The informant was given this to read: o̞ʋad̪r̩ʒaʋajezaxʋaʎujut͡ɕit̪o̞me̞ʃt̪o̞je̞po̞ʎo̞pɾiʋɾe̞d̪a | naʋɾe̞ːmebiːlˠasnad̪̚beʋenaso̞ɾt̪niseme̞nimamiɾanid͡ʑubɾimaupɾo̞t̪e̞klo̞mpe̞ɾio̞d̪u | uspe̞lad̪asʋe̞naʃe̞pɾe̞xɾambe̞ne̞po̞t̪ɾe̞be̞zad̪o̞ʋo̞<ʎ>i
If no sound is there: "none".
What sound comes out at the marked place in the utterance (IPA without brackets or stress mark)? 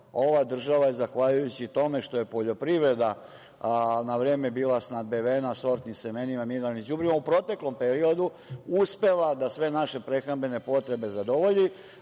ʎ